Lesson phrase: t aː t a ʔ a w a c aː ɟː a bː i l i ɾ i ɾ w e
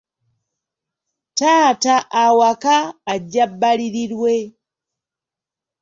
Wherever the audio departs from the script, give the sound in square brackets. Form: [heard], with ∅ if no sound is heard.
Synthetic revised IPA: t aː t a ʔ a w a [k] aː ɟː a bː [a] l i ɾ i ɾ w e